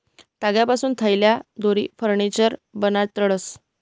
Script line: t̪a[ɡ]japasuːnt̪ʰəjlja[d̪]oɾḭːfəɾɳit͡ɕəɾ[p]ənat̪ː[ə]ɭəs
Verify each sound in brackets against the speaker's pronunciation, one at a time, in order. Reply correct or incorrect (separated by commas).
correct, correct, incorrect, correct